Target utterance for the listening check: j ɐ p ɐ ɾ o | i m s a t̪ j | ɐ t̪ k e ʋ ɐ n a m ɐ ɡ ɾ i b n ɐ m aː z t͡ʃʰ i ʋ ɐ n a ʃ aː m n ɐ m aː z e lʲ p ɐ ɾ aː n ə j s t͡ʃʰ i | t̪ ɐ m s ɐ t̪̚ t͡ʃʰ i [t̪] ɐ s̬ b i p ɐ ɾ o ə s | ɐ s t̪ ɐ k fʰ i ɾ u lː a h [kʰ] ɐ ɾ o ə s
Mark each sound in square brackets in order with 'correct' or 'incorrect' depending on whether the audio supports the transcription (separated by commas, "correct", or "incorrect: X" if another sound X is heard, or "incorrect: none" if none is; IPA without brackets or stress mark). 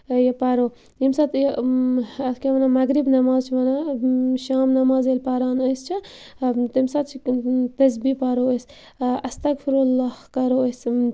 correct, incorrect: k